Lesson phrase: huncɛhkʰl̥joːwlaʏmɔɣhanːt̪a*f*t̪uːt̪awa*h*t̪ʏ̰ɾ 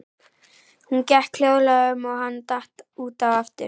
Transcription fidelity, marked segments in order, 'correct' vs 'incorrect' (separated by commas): incorrect, incorrect